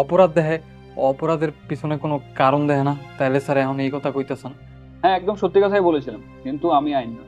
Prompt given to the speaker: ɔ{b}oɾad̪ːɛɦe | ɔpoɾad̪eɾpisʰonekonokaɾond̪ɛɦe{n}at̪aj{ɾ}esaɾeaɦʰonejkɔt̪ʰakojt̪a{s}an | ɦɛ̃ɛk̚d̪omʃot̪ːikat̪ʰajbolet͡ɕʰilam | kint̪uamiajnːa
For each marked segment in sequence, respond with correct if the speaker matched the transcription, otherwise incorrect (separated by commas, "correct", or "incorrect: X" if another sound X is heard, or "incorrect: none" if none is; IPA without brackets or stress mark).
incorrect: p, correct, incorrect: l, correct